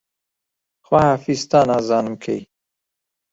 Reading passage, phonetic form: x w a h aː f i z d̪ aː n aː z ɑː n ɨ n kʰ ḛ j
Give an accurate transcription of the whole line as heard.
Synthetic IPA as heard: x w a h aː f i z t̪ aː n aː z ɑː n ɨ m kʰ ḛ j